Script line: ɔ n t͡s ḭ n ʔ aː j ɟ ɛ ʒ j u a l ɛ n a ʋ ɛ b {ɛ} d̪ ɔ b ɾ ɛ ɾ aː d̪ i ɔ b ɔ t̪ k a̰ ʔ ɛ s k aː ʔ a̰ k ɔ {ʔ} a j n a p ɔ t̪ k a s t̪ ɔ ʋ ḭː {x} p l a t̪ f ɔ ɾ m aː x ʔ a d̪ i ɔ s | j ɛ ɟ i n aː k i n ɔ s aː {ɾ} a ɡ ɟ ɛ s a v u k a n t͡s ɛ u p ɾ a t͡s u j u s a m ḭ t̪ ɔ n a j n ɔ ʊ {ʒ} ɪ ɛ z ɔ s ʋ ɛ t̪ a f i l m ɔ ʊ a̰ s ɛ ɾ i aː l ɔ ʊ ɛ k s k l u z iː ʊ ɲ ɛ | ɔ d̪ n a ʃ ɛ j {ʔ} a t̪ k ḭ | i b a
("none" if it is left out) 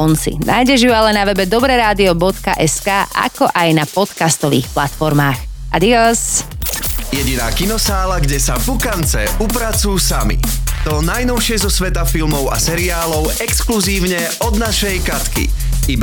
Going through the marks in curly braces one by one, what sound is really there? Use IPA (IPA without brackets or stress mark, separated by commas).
ɛ, ʔ, x, l, ʃ, k